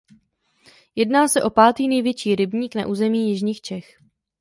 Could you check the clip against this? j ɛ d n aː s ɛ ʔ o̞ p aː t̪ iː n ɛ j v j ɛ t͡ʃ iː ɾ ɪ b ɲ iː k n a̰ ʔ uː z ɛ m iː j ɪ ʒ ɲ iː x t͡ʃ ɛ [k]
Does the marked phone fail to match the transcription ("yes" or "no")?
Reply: yes